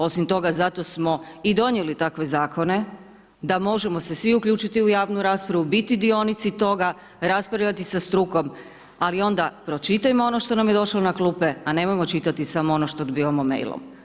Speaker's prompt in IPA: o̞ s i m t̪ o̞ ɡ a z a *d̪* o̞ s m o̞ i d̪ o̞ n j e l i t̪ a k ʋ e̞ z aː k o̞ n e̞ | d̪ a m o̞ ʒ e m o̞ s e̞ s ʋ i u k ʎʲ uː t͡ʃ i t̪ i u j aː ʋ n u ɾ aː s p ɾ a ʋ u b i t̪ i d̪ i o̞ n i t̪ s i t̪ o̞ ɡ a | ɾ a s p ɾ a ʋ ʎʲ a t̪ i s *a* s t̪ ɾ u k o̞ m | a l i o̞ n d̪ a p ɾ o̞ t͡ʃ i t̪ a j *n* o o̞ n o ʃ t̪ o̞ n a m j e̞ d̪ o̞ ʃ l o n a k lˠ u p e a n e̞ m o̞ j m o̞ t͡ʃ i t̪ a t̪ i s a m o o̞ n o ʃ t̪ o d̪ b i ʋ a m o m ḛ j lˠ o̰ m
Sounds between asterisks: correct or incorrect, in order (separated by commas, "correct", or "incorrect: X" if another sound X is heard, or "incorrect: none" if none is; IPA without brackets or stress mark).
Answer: incorrect: t̪, correct, incorrect: m